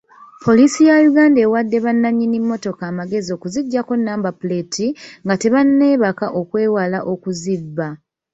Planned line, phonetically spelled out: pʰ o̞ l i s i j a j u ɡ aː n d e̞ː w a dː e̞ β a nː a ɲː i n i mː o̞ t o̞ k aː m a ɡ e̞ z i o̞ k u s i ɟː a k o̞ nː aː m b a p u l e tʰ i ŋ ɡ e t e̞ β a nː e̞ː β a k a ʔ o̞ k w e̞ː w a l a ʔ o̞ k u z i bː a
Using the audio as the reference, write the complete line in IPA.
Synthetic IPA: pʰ o̞ l i s i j a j u ɡ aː n d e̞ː w a dː e̞ β a nː a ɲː i n i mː o̞ t o̞ k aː m a ɡ e̞ z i o̞ k u z i ɟː a k o̞ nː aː m b a p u l e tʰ i ŋ ɡ a t e̞ β a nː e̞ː β a k a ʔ o̞ k w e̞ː w a l a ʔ o̞ k u z i bː a